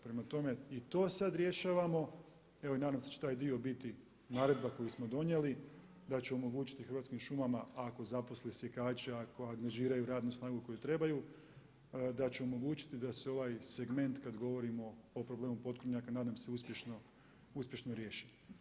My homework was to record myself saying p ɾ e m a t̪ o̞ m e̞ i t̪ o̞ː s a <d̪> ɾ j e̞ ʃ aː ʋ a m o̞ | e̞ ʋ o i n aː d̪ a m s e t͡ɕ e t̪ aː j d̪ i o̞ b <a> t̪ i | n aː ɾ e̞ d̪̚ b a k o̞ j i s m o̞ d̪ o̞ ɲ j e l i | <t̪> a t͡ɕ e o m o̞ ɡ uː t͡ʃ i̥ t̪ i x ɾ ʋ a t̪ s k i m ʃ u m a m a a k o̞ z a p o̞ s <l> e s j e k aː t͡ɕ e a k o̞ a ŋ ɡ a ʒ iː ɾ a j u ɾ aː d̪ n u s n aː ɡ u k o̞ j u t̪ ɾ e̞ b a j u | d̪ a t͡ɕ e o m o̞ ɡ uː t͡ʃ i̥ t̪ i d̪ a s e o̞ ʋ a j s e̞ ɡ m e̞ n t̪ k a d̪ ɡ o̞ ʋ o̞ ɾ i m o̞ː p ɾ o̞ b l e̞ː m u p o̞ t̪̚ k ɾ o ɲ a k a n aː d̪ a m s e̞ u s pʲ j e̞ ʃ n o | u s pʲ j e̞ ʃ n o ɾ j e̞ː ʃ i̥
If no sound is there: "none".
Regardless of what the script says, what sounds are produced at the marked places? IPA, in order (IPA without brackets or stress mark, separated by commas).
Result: d̪, i, d̪, l